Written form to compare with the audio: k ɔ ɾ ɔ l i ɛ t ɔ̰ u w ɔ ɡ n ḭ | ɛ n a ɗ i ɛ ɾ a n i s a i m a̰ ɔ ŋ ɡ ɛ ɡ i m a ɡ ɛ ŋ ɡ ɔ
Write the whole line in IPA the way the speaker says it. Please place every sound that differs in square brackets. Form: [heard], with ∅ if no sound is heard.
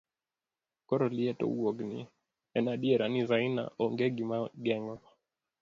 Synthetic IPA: k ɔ ɾ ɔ l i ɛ t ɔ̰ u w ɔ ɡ n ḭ | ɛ n a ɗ i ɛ ɾ a n i [z] a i [n] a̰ ɔ ŋ ɡ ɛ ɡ i m a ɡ ɛ ŋ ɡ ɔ

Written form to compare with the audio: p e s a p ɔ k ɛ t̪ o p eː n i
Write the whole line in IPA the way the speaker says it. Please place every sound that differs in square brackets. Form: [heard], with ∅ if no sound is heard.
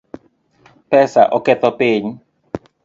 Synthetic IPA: p [ɛ] s a [ʔ] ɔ k ɛ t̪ [ɔ] p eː [ɲ] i

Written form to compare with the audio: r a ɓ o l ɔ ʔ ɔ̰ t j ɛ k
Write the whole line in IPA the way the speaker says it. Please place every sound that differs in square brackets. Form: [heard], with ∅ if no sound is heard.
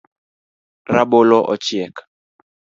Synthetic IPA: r a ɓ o l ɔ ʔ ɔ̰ [t͡ʃ] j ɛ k

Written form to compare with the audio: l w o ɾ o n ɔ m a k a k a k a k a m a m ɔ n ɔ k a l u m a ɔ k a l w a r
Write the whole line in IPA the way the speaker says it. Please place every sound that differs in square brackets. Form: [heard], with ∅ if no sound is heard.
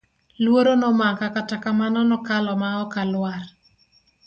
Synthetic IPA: l w o ɾ o n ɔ m a k a k a [t] a k a m a [n] ɔ n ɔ k a l [ɔ] m a ɔ k a l w a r

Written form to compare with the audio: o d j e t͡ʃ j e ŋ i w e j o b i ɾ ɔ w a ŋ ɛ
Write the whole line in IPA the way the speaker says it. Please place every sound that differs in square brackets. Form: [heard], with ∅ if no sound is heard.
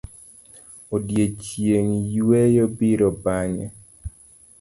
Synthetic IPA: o d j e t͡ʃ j e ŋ [j] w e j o b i ɾ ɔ [b] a [ɲ] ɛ

